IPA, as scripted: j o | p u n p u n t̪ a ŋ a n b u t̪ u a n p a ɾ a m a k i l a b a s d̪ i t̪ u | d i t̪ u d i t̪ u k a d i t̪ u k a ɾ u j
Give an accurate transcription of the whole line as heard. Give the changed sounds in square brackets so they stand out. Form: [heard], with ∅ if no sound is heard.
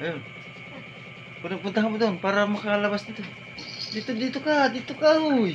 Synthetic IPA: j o | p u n p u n t̪ a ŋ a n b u t̪ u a n p a ɾ a m a k [a] l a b a s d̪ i t̪ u | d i t̪ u d i t̪ u k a d i t̪ u k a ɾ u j

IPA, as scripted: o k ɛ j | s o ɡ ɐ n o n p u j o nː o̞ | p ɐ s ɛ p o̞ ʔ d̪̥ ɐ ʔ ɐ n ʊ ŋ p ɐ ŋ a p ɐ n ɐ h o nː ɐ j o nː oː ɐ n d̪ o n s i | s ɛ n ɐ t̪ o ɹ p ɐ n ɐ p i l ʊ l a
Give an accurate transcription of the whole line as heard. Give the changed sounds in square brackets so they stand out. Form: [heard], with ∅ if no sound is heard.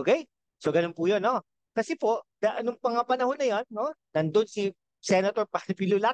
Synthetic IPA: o k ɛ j | s o ɡ ɐ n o n p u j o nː o̞ | [k] ɐ s ɛ p o̞ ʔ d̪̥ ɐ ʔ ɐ n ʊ ŋ p ɐ ŋ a p ɐ n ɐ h o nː ɐ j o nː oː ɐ n d̪ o n s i | s ɛ n ɐ t̪ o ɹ p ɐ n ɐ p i l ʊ l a

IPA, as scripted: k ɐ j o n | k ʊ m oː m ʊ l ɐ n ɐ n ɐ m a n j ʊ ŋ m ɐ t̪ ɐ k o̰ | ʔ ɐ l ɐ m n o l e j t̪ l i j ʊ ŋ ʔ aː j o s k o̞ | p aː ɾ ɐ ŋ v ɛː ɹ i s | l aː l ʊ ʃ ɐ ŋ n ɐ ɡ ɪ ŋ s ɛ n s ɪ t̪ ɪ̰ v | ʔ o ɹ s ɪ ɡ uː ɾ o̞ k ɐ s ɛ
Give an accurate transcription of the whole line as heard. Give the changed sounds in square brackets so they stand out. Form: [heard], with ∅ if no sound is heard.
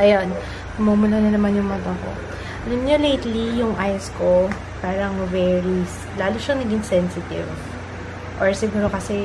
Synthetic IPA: [ʔ] ɐ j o n | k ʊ m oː m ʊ l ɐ n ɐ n ɐ m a n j ʊ ŋ m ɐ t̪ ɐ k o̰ | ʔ ɐ l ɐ m [ɲ] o l e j t̪ l i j ʊ ŋ ʔ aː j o s k o̞ | p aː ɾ ɐ ŋ v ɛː ɹ i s | l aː l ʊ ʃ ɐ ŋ n ɐ ɡ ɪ ŋ s ɛ n s ɪ t̪ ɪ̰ v | ʔ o ɹ s ɪ ɡ uː ɾ o̞ k ɐ s ɛ

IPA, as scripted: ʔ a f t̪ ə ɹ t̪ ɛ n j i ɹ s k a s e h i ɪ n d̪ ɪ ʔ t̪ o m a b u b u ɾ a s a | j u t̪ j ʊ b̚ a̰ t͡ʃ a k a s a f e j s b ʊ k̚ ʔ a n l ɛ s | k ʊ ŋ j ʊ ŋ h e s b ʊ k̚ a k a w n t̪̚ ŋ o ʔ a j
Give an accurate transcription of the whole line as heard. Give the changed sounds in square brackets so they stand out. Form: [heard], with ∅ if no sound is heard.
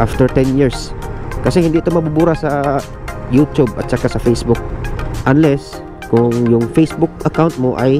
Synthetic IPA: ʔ a f t̪ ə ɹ t̪ ɛ n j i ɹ s k a s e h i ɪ n d̪ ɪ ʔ t̪ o m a b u b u ɾ a s a | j u t̪ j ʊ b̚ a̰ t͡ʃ a k a s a f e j s b ʊ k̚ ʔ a n l ɛ s | k ʊ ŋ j ʊ ŋ [f] e s b ʊ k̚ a k a w n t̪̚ [m] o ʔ a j

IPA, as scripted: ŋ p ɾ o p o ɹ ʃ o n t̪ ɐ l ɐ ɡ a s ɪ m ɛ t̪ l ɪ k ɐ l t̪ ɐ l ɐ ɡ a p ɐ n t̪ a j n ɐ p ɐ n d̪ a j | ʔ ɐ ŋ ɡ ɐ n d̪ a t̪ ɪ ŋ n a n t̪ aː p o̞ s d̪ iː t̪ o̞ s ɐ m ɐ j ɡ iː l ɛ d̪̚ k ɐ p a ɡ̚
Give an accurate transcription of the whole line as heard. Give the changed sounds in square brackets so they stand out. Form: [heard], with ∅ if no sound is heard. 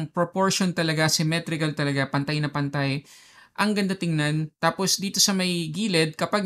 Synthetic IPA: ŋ p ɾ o p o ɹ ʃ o n t̪ ɐ l ɐ ɡ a s ɪ m ɛ t̪ [ɾ] ɪ k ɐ l t̪ ɐ l ɐ ɡ a p ɐ n t̪ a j n ɐ p ɐ n [t̪] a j | ʔ ɐ ŋ ɡ ɐ n d̪ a t̪ ɪ ŋ n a n t̪ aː p o̞ s d̪ iː t̪ o̞ s ɐ m ɐ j ɡ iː l ɛ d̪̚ k ɐ p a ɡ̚

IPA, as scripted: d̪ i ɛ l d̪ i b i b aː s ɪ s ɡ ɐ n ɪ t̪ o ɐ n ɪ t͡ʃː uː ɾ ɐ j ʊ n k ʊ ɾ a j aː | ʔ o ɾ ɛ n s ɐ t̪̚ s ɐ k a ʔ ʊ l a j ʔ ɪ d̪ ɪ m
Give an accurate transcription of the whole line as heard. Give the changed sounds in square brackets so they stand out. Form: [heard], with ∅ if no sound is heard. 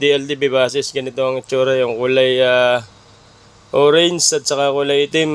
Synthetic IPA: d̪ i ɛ l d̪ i b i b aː s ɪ s ɡ ɐ n ɪ t̪ o ɐ [ŋ] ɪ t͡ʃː uː ɾ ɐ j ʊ [ŋ] k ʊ [l] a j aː | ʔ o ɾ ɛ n s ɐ t̪̚ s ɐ k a [k] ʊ l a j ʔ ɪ [t̪] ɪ m

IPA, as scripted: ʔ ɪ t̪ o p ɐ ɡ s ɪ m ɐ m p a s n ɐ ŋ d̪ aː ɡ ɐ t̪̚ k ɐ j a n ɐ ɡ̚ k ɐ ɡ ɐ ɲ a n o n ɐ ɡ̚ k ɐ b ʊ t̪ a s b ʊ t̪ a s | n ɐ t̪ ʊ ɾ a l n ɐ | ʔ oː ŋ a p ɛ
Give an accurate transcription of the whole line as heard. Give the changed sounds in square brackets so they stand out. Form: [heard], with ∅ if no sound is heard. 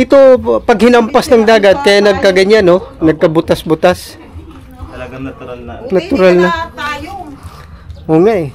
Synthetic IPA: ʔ ɪ t̪ o p ɐ ɡ [h] ɪ [n] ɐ m p a s n ɐ ŋ d̪ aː ɡ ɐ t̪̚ k ɐ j a n ɐ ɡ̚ k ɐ ɡ ɐ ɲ a n o n ɐ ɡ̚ k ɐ b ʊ t̪ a s b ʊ t̪ a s | n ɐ t̪ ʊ ɾ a l n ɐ | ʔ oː ŋ a [ʔ] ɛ

